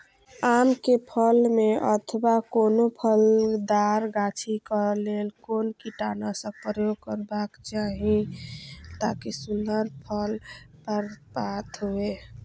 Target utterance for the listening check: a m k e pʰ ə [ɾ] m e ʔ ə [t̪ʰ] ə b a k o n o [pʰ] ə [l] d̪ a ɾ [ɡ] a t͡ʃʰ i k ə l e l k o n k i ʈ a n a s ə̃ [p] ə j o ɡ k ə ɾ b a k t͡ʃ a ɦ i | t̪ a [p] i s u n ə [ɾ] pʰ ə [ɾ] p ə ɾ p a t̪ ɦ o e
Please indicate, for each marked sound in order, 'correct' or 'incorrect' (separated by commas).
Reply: incorrect, correct, correct, correct, correct, correct, incorrect, correct, incorrect